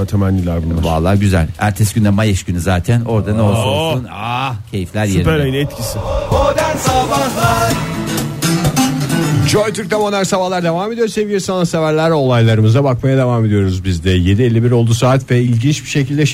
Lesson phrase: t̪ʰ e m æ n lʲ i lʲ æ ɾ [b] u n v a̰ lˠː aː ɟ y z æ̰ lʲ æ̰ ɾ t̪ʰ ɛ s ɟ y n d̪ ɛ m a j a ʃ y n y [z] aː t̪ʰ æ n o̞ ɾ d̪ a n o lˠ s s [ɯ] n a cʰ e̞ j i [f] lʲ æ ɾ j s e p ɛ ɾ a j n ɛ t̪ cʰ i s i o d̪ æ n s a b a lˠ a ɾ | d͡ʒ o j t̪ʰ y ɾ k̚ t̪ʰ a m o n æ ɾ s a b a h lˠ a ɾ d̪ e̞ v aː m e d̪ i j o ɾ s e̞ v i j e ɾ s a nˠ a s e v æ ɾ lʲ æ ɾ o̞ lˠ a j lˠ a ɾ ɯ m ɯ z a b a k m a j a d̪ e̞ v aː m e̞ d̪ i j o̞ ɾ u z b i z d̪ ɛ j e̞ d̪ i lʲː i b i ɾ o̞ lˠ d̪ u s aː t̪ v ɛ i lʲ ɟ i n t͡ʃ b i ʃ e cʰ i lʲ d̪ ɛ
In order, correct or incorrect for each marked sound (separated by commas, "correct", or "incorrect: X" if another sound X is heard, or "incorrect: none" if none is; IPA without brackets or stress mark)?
correct, correct, incorrect: u, correct